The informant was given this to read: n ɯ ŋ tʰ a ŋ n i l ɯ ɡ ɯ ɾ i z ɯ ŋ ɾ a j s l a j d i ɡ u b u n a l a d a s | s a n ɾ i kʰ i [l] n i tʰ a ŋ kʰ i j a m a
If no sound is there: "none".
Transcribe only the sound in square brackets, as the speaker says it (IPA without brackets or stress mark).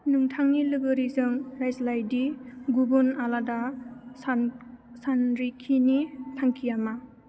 none